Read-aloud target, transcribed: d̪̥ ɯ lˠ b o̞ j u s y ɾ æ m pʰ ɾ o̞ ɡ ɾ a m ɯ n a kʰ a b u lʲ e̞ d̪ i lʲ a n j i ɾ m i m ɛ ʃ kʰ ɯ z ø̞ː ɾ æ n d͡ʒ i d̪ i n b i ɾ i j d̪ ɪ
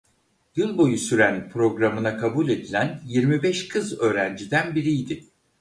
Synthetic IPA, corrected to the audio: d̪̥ ɯ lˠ b o̞ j u s y ɾ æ n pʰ ɾ o̞ ɡ ɾ a m ɯ n a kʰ a b u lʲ e̞ d̪ i lʲ æ n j i ɾ m i b ɛ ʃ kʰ ɯ z ø̞ː ɾ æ n d͡ʒ i d̪ æ n b i ɾ i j d̪ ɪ